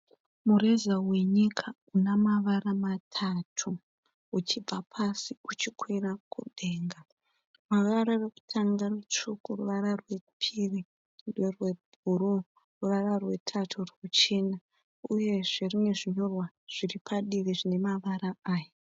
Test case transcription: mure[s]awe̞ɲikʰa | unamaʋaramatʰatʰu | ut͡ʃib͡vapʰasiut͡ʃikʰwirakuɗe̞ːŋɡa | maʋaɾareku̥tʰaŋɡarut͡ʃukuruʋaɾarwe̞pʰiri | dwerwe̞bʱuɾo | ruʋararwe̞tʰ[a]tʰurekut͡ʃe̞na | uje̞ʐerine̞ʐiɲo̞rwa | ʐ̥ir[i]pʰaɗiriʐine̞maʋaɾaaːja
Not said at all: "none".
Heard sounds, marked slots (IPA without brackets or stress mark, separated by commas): z, a, i